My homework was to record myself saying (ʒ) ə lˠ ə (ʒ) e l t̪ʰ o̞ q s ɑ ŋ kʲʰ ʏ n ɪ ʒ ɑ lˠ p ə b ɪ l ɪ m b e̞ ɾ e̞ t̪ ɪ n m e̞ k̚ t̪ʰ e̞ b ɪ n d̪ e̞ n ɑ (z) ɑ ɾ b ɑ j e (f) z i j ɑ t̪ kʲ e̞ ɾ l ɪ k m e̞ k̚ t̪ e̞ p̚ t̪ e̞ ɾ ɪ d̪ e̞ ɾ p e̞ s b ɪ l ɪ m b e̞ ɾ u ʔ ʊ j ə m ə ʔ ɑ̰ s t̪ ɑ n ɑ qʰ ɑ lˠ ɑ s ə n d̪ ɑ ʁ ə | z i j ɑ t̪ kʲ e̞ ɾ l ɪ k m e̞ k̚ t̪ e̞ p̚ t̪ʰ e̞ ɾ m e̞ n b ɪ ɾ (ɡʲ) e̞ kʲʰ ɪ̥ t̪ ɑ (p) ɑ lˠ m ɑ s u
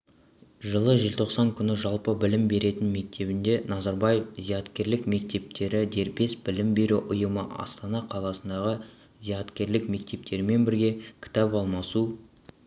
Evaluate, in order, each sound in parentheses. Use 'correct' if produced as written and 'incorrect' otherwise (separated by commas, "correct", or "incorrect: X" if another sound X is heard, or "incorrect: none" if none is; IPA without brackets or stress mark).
correct, correct, correct, correct, correct, correct